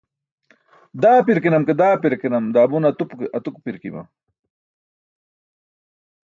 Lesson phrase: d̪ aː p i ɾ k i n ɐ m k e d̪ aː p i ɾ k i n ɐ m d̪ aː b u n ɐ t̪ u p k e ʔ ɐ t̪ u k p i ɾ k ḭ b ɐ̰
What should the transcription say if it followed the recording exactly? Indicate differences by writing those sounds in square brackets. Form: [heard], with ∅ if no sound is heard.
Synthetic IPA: d̪ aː p i ɾ k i n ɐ m k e d̪ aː p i ɾ k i n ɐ m d̪ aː b u n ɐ t̪ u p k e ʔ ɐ t̪ u k p i ɾ k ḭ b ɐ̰